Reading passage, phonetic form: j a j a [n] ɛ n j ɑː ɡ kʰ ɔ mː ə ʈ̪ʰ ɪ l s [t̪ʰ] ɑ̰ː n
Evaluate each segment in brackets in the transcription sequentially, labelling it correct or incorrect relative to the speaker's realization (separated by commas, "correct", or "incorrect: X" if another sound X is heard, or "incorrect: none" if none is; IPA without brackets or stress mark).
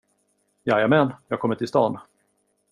incorrect: m, incorrect: t̪